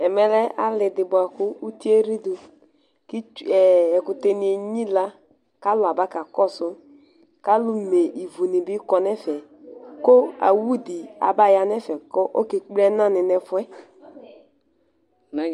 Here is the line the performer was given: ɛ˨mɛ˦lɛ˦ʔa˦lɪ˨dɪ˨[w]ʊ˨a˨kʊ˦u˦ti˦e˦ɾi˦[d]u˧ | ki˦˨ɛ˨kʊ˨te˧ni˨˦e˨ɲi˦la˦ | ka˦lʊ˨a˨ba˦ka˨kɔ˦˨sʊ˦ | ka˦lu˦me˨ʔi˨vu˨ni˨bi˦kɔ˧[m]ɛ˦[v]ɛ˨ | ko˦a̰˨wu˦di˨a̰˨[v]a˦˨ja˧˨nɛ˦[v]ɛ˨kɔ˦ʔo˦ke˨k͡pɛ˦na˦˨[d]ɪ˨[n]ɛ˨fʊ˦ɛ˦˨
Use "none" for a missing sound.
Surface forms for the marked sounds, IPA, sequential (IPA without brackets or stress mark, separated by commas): b, d, n, f, b, f, n, n